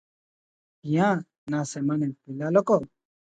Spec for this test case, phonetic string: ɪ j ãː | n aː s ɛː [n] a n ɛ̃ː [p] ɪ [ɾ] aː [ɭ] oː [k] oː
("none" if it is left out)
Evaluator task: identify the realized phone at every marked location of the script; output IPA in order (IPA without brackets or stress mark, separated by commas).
m, p, l, l, k